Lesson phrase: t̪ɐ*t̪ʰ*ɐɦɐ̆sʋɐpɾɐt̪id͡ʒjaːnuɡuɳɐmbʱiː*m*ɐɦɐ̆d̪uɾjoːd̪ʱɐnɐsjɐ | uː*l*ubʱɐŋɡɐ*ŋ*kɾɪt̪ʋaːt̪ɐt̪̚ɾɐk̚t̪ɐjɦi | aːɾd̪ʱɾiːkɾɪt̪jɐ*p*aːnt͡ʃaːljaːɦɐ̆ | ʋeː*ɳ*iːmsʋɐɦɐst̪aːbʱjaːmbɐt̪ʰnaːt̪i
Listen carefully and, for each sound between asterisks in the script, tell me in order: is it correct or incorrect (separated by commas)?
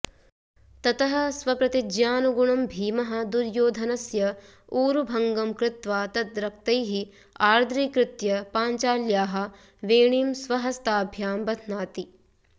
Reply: incorrect, correct, incorrect, incorrect, correct, correct